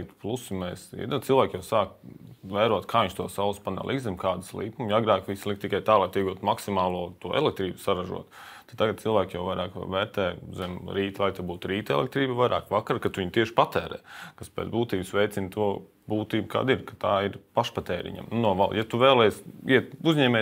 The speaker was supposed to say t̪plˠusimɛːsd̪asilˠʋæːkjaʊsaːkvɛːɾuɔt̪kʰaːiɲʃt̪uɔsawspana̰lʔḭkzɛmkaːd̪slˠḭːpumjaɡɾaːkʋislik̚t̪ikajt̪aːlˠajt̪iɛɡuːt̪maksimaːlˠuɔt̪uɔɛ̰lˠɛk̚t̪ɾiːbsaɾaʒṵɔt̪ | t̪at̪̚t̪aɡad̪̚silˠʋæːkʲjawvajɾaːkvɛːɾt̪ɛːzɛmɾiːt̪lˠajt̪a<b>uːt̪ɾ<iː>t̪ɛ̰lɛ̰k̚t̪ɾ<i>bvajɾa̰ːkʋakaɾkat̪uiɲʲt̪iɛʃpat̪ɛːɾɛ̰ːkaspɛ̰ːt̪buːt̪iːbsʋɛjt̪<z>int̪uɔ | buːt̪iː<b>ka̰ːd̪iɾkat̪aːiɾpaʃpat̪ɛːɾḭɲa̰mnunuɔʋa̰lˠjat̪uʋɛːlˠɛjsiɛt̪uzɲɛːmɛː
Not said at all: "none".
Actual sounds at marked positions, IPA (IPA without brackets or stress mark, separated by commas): b, iː, iː, s, b